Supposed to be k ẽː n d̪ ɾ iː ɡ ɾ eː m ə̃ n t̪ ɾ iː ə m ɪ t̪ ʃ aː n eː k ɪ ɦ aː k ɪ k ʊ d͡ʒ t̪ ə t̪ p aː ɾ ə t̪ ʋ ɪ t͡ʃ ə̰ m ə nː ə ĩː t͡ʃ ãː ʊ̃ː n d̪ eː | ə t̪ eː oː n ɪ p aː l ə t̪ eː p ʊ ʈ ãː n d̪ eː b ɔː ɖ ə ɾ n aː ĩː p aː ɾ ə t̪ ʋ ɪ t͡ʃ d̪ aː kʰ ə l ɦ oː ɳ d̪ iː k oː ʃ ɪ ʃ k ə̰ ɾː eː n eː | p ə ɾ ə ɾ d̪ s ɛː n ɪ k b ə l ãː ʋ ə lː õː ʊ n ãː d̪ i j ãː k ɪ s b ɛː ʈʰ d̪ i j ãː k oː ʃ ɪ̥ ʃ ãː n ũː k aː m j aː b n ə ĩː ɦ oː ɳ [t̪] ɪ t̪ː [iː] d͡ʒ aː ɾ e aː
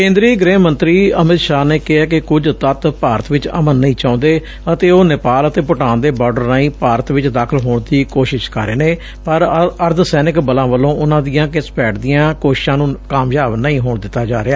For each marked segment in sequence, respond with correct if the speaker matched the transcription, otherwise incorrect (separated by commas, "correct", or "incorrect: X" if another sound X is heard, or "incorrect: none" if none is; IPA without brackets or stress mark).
incorrect: d̪, incorrect: aː